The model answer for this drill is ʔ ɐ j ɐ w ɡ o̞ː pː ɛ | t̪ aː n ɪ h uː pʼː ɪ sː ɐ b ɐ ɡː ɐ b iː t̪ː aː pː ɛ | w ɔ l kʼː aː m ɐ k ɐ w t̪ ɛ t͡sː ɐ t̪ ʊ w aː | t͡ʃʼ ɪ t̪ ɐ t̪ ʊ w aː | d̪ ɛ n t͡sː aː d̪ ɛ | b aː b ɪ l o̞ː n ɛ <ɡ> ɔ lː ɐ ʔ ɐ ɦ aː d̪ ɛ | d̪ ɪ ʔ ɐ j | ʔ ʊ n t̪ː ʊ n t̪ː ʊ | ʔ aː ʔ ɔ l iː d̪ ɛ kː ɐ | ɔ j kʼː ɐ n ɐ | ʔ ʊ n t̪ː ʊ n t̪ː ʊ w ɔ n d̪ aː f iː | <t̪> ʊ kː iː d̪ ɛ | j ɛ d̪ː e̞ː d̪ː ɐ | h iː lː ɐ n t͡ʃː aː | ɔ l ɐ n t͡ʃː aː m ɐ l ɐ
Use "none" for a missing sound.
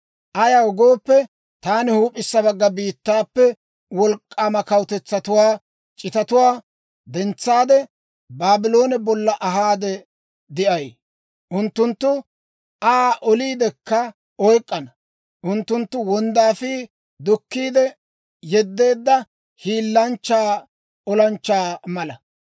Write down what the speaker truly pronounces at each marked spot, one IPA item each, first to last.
b, d̪

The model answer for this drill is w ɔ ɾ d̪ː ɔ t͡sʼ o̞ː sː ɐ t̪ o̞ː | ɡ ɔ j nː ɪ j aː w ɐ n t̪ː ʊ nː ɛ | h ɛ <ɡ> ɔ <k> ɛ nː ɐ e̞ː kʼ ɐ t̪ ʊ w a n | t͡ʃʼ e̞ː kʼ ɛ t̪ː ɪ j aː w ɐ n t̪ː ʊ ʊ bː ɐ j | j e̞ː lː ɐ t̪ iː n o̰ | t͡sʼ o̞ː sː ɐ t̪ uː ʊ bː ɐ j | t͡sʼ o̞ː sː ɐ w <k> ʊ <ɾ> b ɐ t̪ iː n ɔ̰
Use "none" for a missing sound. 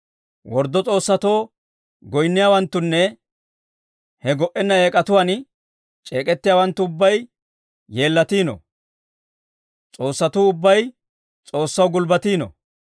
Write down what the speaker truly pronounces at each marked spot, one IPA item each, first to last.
ɡ, ʔ, ɡ, l

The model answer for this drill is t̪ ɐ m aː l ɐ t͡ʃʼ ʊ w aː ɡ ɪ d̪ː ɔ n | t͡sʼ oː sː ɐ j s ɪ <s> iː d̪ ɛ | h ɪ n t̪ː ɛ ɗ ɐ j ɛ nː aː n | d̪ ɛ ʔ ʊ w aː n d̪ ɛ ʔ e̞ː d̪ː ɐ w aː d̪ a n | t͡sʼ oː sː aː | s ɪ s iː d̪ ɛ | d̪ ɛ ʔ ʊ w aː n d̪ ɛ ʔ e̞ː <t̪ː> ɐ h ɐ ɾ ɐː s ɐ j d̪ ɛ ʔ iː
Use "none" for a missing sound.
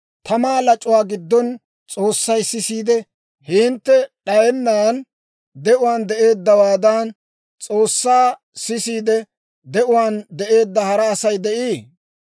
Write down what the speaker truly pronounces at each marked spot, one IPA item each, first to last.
s, d̪ː

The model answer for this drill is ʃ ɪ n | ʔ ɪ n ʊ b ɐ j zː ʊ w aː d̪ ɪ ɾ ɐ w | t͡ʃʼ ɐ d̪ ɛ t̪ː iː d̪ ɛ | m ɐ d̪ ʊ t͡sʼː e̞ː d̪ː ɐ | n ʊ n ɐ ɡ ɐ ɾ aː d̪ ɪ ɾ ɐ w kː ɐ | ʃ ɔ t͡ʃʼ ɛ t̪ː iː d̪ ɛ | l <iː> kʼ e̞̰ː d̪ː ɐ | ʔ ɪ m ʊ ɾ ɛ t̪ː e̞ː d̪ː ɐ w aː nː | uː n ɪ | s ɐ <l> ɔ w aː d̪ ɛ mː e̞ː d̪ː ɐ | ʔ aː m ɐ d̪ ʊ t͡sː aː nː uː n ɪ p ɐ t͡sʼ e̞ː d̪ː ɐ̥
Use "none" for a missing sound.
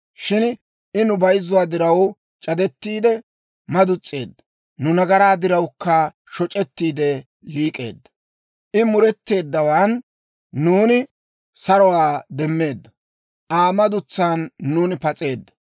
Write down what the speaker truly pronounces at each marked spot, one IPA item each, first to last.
iː, ɾ

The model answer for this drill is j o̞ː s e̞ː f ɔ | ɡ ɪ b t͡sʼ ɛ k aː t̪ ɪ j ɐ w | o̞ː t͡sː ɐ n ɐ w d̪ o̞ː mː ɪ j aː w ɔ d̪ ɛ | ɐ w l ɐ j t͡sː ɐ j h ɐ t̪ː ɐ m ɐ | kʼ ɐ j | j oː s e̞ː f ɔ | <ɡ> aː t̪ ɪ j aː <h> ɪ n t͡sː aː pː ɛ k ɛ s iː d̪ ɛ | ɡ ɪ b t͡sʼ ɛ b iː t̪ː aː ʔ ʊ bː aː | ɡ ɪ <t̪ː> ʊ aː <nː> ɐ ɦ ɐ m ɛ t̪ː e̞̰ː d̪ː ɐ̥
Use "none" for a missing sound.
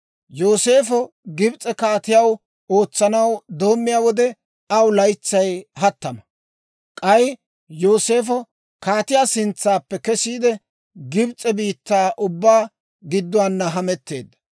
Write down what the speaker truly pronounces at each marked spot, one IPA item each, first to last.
k, s, d̪ː, nː

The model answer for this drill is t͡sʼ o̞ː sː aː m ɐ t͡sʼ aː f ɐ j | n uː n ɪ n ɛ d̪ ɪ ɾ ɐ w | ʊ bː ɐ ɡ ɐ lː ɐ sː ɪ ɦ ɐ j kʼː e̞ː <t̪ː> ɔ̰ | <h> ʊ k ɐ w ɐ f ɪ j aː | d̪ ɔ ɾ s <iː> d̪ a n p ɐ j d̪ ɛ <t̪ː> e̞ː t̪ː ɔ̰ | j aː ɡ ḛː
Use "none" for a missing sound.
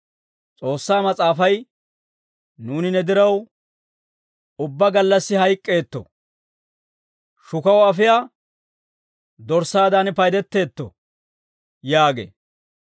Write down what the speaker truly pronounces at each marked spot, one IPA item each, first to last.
t̪ː, ʃ, aː, t̪ː

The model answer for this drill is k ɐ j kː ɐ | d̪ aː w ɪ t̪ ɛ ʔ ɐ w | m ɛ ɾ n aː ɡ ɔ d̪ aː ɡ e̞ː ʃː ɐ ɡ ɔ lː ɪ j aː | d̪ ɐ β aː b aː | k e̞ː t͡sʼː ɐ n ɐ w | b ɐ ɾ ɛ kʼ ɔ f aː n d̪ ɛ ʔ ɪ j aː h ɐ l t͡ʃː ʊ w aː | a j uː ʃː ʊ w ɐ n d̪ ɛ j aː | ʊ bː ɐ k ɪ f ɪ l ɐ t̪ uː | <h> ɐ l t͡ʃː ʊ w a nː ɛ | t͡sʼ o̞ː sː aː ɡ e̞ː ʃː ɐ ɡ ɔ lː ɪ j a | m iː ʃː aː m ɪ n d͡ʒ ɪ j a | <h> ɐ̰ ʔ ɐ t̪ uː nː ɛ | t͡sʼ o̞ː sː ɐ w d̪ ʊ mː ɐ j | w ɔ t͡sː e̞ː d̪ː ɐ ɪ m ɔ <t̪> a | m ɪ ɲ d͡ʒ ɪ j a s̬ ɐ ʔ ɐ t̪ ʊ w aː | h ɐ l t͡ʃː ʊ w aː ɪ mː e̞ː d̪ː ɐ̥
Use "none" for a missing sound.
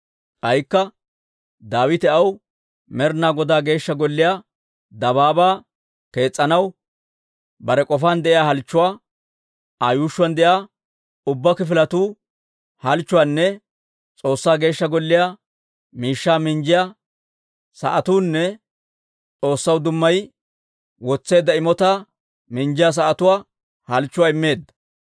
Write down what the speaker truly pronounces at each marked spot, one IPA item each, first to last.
h, s, t̪

